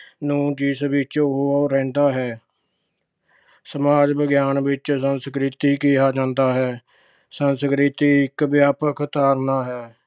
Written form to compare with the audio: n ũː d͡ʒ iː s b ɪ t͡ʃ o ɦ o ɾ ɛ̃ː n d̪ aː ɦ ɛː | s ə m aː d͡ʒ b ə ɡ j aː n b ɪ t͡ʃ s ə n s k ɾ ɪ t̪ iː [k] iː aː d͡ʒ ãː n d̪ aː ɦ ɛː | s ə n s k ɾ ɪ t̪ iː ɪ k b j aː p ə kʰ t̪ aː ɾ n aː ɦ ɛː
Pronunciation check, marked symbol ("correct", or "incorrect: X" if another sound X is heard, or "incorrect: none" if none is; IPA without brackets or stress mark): correct